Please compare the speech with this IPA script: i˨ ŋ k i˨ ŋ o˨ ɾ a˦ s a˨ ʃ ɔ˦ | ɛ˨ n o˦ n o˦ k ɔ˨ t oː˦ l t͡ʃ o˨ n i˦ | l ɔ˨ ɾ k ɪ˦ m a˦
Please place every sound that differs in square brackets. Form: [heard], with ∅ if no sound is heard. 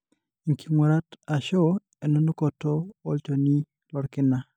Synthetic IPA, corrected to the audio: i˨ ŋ k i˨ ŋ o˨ ɾ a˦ [t] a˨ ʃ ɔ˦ | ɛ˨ n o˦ n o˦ k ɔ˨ t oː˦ l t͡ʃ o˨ n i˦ | l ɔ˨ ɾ k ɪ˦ [n] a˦